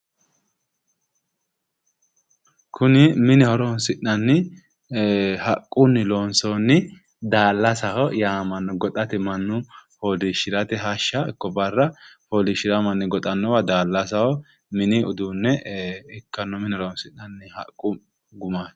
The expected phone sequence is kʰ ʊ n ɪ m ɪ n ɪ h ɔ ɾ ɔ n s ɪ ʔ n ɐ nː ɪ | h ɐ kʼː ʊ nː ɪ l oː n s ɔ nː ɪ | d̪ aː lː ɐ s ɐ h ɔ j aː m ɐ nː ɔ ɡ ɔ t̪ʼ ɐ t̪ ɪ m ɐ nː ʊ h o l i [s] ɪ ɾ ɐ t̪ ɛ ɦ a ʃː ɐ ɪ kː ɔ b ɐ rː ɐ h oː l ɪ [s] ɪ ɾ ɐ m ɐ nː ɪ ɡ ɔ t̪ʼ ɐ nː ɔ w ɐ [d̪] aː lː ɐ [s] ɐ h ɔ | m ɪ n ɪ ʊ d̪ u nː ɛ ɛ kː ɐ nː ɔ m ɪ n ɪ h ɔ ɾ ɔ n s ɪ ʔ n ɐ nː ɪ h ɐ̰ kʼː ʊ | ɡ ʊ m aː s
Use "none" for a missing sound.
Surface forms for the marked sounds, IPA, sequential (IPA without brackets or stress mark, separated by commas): ʃ, ʃ, d̪, s